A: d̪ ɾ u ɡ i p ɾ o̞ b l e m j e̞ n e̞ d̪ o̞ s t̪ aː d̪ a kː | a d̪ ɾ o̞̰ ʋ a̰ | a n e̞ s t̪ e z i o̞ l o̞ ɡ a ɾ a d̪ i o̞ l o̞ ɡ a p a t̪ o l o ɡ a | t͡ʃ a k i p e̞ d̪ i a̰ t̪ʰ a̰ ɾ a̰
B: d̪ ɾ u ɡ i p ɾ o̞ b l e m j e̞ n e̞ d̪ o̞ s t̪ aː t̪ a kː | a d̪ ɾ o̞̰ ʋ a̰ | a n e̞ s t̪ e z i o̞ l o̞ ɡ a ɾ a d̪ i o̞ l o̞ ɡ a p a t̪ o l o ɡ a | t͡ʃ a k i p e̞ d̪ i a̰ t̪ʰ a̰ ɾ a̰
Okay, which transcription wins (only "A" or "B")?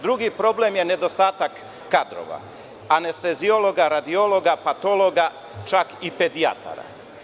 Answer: B